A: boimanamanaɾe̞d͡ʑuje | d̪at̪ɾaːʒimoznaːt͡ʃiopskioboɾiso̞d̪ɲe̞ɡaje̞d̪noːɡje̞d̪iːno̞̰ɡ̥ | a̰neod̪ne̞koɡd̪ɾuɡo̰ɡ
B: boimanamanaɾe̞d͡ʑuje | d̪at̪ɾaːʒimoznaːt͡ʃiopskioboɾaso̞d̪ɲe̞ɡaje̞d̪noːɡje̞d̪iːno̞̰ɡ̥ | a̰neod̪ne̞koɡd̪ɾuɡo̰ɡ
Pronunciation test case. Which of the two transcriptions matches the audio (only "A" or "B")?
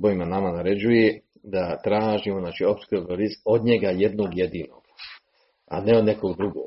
A